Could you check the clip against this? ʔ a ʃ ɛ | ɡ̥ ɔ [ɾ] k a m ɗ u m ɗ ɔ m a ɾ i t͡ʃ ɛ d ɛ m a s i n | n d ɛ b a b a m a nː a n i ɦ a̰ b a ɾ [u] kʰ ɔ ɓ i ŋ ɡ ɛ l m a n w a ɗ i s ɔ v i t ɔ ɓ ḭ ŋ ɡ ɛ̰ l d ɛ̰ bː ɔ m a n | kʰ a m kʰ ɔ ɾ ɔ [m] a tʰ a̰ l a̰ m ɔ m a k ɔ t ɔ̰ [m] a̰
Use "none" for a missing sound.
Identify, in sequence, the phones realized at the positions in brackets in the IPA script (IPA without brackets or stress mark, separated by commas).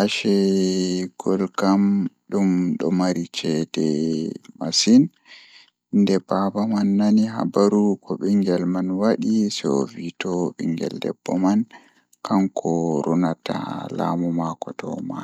l, u, n, m